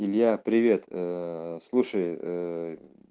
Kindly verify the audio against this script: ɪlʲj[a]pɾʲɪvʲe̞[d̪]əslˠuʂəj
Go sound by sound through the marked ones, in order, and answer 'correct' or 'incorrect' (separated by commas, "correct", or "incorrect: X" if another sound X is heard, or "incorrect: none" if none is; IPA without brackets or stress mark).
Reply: correct, incorrect: t̪